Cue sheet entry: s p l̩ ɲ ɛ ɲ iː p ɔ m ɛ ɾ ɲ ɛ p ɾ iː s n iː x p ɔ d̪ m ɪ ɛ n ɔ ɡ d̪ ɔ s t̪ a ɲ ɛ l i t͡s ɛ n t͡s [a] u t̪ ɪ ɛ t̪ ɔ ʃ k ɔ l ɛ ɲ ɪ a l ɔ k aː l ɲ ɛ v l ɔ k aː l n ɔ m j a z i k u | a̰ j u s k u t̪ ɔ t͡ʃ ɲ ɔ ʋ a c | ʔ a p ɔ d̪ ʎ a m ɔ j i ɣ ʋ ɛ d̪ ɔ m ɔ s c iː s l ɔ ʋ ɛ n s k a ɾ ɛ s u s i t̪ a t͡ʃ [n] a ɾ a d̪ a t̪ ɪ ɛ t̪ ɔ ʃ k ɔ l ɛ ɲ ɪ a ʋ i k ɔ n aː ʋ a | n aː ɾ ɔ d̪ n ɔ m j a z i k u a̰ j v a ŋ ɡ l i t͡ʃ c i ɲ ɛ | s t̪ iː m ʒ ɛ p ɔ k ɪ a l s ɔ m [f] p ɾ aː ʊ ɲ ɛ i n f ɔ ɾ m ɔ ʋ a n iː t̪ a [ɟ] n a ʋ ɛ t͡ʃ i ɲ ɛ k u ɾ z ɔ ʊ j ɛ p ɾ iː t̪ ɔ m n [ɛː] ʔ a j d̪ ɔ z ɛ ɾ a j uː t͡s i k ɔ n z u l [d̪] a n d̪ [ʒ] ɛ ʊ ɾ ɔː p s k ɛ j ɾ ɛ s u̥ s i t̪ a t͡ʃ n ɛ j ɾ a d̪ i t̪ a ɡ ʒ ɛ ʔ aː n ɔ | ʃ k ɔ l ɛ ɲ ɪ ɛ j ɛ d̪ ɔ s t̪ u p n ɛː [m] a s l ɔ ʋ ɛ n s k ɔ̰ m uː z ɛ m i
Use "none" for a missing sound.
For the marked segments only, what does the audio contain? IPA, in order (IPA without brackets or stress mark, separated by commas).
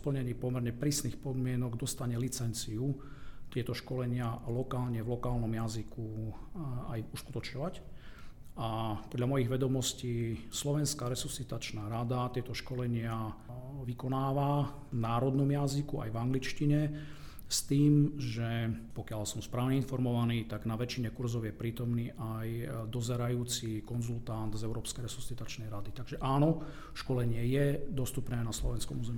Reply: i, n, s, ɡ, iː, t̪, z, n